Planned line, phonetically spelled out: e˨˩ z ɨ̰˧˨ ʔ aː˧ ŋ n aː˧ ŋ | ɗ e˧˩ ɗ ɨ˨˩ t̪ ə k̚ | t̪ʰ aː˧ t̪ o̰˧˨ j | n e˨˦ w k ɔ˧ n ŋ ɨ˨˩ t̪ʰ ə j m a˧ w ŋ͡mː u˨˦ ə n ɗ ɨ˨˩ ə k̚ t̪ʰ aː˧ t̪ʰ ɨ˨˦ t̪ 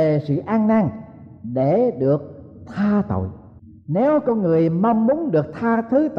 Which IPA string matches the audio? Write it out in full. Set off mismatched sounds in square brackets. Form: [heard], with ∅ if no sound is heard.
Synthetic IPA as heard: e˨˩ [s] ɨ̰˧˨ ʔ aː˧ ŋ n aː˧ ŋ | ɗ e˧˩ ɗ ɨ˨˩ [∅] ə k̚ | t̪ʰ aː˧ t̪ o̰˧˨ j | n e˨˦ w k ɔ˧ n ŋ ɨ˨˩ [∅] ə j m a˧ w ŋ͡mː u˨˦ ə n ɗ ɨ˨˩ ə k̚ t̪ʰ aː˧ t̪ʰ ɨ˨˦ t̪